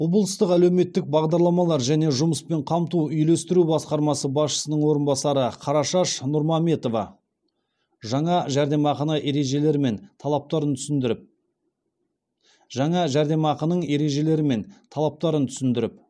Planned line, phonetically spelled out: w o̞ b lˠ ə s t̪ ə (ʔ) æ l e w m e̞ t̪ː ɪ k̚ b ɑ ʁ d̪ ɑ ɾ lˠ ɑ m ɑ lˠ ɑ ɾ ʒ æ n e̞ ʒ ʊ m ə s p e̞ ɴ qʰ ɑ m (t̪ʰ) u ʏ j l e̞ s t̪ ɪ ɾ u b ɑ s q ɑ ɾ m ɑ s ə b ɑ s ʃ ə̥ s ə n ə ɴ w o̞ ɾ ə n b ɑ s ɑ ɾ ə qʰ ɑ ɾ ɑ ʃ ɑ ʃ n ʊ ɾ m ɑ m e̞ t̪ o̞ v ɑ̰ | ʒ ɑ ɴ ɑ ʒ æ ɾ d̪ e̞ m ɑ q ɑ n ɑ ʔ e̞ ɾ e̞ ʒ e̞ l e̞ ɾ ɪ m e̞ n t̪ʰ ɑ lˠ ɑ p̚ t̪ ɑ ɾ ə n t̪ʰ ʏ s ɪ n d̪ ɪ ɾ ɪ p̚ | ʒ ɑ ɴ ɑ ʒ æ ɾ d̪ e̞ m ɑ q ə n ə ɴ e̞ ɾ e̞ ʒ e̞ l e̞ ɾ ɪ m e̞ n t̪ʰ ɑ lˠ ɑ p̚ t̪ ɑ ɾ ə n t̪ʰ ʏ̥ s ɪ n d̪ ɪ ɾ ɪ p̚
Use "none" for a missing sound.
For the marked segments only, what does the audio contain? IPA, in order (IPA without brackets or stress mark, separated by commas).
q, t̪